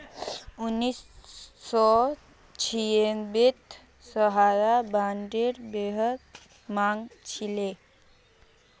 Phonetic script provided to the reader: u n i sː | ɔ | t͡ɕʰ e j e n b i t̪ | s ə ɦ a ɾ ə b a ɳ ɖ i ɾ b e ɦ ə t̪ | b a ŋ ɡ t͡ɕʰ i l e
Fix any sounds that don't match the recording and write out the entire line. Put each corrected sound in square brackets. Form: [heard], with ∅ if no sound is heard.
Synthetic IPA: u n i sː | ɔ | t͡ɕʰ [i] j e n b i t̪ | s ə ɦ a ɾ [a] b a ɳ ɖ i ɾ b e ɦ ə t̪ | [m] a ŋ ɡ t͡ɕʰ i l e